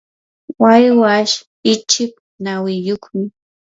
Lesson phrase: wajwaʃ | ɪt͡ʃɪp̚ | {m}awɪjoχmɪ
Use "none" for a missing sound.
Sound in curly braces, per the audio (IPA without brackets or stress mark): n